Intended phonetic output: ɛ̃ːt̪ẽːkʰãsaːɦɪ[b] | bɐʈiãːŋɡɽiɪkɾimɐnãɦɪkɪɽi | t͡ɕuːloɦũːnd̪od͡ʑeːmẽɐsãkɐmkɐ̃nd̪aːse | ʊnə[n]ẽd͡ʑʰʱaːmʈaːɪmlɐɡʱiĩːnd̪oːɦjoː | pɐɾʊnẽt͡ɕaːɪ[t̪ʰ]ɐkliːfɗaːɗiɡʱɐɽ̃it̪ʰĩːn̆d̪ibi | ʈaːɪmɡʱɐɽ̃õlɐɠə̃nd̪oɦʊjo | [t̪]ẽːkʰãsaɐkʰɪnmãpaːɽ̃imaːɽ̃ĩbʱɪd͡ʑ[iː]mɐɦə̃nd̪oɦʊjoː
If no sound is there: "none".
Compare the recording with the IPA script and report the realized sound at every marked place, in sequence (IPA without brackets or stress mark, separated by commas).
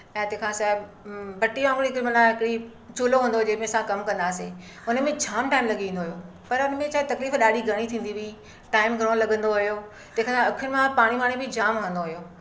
b, m, t̪, t̪, aː